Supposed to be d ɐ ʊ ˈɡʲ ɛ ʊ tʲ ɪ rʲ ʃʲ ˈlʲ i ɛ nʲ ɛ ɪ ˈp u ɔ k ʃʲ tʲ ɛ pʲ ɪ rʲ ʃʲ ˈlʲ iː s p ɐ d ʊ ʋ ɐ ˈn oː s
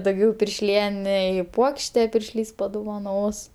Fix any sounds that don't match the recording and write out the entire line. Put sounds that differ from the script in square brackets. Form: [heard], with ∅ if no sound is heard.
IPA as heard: d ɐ ʊ ˈɡʲ ɛ ʊ [pʲ] ɪ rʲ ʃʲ ˈlʲ i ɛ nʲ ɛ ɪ ˈp u ɔ k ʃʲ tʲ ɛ pʲ ɪ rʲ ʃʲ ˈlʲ iː s p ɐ d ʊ ʋ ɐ ˈn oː s

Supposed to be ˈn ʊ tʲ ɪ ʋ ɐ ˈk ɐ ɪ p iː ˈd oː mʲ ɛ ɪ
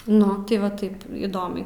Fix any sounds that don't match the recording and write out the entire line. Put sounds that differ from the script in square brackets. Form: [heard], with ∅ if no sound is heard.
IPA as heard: ˈn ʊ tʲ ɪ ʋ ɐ [ˈt] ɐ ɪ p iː ˈd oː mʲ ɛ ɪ

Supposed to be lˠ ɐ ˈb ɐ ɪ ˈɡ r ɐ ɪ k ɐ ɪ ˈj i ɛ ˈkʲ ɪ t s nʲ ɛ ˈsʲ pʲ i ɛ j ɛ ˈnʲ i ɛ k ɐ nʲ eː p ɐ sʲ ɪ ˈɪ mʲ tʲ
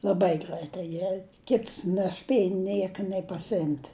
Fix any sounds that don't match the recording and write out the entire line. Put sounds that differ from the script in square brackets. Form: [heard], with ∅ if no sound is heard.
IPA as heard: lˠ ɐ ˈb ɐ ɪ ˈɡ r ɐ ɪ [t] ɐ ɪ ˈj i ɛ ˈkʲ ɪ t s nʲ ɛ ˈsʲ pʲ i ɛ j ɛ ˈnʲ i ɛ k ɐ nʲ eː p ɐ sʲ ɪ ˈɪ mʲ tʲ

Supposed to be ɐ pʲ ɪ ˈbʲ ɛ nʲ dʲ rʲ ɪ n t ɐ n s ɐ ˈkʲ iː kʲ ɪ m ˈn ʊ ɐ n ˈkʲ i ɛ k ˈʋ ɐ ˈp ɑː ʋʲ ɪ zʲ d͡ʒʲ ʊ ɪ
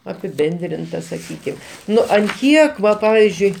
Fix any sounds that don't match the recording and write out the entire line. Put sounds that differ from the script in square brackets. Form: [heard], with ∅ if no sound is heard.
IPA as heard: ɐ pʲ ɪ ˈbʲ ɛ nʲ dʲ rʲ ɪ n t ɐ [∅] s ɐ ˈkʲ iː kʲ ɪ m ˈn ʊ ɐ n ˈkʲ i ɛ k ˈʋ ɐ ˈp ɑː ʋʲ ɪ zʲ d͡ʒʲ ʊ ɪ

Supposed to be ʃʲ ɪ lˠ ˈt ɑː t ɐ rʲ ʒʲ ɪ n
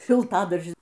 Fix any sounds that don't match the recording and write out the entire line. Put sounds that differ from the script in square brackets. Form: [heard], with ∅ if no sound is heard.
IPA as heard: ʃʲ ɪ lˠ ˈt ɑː [d] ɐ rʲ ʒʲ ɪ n

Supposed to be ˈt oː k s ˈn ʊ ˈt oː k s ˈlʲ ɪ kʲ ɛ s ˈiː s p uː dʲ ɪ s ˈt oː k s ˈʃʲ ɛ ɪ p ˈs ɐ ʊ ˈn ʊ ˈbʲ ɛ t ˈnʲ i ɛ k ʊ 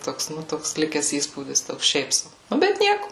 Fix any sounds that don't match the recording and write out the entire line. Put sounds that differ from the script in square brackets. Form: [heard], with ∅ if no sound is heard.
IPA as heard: ˈt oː k s ˈn ʊ ˈt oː k s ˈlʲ ɪ kʲ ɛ s ˈiː s p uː dʲ ɪ s ˈt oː k s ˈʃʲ ɛ ɪ p ˈs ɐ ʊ ˈn ʊ ˈbʲ ɛ t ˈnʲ i ɛ k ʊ

